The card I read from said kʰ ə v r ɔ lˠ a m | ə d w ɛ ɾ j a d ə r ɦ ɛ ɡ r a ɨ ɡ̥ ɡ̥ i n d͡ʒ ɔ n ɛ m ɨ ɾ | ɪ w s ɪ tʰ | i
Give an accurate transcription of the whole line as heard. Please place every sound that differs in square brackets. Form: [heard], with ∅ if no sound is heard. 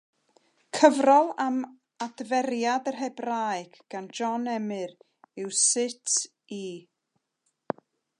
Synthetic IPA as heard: kʰ ə v r ɔ lˠ a m | [a] d [v] ɛ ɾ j a d ə r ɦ ɛ [b] r a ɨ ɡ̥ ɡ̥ [a] n d͡ʒ ɔ n ɛ m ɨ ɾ | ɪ w s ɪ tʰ | i